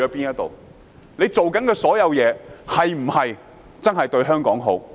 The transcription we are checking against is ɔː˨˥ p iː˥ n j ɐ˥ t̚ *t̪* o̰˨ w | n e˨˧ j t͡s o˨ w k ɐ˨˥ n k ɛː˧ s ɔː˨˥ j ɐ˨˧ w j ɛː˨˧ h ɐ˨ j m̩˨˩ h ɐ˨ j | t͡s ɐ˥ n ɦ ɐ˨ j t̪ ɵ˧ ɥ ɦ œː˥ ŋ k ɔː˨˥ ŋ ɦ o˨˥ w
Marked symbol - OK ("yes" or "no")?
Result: yes